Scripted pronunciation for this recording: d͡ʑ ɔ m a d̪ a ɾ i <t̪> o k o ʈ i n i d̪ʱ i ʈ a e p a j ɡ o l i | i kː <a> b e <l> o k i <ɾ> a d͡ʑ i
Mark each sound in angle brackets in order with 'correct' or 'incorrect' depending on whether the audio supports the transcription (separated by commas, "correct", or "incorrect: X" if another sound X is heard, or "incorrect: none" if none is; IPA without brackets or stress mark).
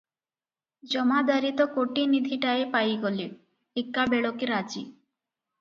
correct, correct, incorrect: ɭ, correct